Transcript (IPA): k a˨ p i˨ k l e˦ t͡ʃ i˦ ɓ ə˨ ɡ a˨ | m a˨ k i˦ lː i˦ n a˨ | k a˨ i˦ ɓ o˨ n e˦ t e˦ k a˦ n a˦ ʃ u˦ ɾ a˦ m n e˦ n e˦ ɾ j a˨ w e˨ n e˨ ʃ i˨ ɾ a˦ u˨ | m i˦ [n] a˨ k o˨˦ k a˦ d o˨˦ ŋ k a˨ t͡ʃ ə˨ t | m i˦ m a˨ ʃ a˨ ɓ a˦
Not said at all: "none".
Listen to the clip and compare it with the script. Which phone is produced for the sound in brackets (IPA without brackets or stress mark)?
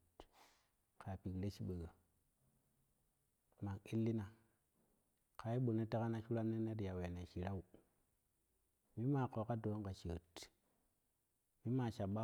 m